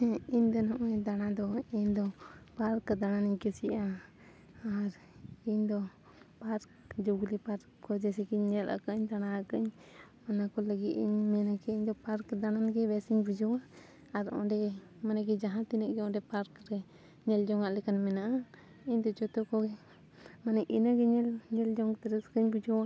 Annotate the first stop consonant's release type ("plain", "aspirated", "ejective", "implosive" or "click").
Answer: plain